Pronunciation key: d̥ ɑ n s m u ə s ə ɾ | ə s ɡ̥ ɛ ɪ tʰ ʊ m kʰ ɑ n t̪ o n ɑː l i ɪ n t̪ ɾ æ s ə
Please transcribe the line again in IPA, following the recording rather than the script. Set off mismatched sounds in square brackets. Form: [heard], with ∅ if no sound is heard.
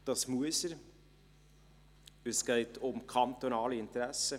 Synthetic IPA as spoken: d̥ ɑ [∅] s m u ə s ə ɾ | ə s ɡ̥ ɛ ɪ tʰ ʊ m kʰ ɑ n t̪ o n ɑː l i ɪ n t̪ ɾ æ s ə